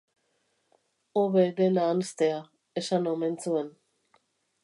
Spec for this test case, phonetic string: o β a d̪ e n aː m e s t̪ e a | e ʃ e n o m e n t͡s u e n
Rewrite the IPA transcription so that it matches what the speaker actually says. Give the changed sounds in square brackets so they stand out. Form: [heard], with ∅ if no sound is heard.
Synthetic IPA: o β [e] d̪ e n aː [n] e s t̪ e a | e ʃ [a] n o m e n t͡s u e n